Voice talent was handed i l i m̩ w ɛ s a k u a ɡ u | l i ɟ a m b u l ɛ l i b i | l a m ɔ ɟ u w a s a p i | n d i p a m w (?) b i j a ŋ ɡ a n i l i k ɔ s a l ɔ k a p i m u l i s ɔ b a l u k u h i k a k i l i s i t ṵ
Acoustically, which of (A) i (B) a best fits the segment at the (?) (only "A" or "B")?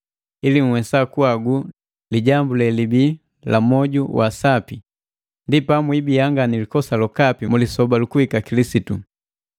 A